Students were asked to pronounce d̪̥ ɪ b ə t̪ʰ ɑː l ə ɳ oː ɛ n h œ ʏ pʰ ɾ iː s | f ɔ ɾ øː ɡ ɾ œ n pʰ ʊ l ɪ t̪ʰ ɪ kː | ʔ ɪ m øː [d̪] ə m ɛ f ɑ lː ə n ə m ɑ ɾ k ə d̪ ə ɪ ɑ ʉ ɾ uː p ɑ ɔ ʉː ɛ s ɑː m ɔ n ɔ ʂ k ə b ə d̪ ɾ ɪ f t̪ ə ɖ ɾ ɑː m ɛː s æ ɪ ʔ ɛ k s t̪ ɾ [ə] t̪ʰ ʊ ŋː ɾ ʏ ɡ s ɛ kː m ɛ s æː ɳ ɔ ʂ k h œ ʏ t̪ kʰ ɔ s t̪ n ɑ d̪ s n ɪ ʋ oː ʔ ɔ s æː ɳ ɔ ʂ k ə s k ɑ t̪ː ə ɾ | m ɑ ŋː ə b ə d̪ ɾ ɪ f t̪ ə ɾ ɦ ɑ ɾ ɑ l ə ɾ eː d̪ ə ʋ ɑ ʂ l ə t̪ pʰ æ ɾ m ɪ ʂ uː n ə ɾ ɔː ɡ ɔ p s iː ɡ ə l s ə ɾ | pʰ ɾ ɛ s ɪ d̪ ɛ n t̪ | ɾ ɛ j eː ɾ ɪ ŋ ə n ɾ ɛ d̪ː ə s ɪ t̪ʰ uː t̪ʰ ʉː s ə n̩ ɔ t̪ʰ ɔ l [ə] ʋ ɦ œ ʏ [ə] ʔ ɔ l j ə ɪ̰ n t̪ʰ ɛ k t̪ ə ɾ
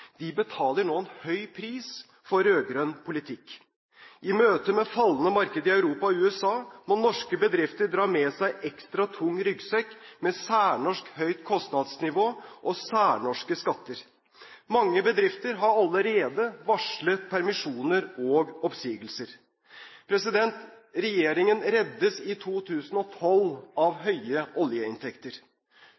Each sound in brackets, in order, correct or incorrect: incorrect: t̪, incorrect: ɑ, incorrect: ɑ, correct

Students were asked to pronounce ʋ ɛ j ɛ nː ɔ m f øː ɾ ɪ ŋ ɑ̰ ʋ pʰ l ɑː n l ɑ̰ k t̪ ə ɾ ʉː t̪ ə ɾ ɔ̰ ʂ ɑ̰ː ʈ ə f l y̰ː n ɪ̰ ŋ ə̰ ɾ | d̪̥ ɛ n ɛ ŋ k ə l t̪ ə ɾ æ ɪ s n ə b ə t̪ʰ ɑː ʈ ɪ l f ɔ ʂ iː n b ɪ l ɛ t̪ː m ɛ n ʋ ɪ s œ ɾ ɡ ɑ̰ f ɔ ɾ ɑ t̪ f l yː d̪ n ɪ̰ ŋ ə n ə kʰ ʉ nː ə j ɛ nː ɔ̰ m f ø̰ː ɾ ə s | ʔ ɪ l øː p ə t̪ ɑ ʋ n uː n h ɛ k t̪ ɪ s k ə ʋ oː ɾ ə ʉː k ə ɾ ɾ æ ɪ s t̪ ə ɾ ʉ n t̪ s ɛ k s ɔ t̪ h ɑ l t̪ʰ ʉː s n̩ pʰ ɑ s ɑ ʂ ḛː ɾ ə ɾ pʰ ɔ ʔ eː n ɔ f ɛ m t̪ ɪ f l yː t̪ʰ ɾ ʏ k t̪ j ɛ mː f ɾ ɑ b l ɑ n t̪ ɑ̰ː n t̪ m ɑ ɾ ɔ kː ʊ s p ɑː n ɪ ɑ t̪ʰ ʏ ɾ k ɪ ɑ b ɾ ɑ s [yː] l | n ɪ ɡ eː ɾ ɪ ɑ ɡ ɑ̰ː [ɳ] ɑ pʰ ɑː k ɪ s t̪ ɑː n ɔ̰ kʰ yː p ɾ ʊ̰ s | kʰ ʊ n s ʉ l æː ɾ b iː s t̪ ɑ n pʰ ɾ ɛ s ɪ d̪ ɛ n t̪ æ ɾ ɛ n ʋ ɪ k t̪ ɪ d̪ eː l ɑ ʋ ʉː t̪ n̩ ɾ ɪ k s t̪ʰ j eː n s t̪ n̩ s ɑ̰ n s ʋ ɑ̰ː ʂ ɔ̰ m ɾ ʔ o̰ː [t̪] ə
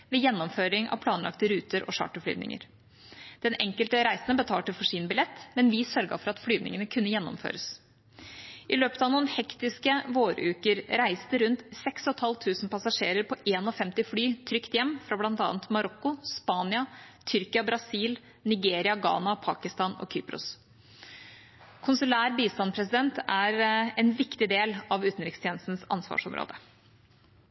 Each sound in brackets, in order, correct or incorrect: incorrect: iː, incorrect: n, incorrect: d̪

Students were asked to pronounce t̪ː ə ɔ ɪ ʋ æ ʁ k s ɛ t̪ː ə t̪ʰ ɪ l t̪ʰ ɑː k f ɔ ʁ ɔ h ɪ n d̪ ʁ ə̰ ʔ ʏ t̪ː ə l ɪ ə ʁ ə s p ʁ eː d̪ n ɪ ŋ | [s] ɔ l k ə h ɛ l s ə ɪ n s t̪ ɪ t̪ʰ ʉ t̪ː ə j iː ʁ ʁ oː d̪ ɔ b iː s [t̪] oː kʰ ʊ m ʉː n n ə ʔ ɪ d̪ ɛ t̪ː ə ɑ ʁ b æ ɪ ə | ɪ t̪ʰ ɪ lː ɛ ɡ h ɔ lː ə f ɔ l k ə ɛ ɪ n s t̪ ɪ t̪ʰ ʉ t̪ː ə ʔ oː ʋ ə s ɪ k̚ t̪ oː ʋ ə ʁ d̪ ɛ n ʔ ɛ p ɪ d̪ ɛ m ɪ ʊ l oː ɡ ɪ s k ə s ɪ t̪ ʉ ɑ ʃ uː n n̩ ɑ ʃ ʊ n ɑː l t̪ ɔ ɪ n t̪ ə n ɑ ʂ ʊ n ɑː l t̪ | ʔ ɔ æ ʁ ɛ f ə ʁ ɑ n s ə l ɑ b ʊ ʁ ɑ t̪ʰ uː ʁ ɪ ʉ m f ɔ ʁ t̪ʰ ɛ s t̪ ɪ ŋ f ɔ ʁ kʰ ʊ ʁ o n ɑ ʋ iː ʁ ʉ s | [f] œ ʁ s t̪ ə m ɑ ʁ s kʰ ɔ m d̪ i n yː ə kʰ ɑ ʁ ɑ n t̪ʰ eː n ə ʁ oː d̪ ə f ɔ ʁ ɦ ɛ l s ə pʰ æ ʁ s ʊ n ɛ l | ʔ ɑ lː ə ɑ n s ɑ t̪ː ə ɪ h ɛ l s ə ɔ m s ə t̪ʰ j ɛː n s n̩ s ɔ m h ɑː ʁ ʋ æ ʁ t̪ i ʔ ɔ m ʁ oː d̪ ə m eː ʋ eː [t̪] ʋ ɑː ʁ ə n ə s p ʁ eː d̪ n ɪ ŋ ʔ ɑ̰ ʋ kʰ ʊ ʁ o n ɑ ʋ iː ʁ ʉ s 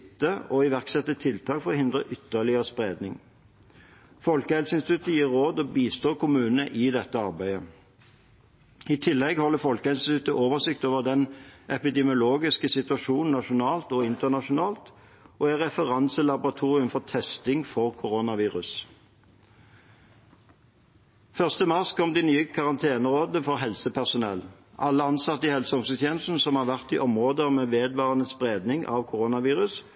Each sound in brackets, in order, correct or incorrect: incorrect: f, correct, correct, incorrect: d̪

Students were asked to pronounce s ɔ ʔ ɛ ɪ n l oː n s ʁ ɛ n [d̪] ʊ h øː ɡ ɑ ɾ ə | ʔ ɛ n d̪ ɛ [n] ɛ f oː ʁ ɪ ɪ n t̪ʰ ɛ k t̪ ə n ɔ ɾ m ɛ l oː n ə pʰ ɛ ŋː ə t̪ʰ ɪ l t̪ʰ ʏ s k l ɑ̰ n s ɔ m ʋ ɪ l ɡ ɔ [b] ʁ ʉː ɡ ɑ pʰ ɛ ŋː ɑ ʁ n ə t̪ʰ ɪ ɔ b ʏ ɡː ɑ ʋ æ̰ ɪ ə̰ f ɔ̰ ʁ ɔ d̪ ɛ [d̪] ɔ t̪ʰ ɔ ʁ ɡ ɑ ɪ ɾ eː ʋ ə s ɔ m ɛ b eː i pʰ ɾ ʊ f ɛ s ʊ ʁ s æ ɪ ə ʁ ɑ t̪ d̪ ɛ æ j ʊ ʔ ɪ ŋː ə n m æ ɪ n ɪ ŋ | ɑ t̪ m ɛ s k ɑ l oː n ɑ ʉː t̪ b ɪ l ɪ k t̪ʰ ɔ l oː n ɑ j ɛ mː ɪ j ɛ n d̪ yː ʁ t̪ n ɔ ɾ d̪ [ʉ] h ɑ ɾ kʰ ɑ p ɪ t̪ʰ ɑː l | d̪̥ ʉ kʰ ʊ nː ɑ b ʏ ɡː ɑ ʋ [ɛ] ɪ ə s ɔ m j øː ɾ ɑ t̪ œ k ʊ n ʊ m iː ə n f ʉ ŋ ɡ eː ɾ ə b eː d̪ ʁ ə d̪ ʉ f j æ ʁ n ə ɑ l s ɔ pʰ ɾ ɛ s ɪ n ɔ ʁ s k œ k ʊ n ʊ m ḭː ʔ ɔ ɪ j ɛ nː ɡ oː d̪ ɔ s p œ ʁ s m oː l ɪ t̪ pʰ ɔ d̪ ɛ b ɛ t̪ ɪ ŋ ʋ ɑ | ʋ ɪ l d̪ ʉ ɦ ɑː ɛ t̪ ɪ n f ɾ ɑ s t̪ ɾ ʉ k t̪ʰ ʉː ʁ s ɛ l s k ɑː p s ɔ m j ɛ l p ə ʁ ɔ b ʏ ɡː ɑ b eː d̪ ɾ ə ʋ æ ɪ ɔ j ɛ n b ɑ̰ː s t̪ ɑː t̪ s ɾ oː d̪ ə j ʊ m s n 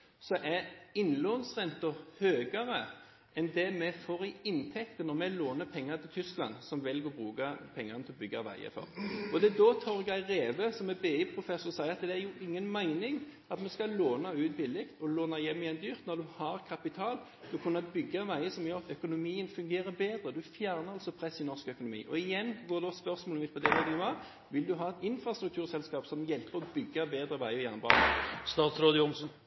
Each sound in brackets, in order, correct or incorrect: incorrect: t̪, incorrect: m, correct, correct, correct, incorrect: æ

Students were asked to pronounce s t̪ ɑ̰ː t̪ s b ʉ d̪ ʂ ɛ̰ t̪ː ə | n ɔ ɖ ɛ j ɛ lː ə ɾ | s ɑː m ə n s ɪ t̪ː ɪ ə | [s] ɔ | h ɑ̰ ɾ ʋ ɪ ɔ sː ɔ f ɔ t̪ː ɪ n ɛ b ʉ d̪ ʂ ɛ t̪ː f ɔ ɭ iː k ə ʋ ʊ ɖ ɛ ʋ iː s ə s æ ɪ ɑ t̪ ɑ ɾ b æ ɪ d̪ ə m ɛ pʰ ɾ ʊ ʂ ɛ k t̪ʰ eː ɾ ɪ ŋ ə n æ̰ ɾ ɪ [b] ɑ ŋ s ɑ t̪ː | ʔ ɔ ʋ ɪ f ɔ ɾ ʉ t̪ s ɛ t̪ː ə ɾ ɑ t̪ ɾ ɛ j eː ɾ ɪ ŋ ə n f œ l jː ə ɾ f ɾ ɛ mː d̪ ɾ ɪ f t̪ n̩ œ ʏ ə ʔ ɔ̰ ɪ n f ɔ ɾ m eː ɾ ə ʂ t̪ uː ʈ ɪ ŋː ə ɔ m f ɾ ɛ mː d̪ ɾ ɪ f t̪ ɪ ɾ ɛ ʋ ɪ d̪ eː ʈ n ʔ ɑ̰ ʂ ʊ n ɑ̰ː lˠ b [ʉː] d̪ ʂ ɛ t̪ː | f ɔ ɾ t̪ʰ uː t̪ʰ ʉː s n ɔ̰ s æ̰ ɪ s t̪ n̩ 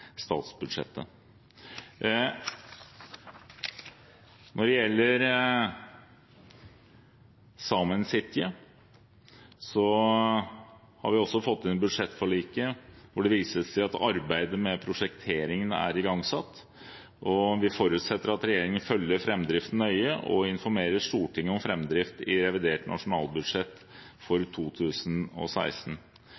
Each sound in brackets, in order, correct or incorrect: correct, incorrect: ɡ, incorrect: ʉ

